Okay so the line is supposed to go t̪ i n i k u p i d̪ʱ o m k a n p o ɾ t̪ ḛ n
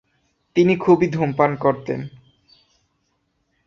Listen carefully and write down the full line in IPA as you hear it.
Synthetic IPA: t̪ i n i kʰ u b i d̪ʱ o m p a n k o ɾ t̪ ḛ n